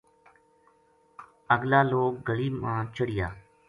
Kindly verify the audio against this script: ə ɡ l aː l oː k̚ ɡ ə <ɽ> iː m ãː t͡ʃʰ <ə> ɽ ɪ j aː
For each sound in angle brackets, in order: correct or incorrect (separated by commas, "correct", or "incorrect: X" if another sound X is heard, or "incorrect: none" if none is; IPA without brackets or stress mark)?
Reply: incorrect: l, correct